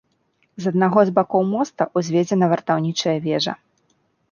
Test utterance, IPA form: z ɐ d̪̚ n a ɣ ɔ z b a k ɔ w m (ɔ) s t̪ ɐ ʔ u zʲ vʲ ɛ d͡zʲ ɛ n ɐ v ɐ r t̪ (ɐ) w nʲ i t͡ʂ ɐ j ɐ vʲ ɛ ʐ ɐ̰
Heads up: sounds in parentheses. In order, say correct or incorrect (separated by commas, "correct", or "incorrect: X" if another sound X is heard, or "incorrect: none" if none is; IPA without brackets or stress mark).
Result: correct, incorrect: a